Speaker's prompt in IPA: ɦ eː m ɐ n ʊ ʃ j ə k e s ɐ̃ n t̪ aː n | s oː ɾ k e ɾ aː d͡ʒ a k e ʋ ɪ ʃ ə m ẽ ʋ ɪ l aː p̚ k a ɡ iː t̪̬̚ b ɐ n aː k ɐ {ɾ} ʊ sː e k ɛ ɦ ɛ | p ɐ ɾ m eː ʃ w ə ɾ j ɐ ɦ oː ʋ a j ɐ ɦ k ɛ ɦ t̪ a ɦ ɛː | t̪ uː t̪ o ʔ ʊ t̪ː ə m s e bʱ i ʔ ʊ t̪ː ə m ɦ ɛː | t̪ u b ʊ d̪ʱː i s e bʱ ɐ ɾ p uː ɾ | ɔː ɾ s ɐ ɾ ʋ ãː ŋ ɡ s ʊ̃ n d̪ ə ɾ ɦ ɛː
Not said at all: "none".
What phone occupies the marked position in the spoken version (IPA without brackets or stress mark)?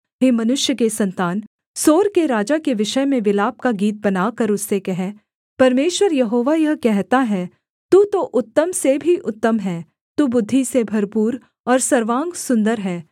ɾ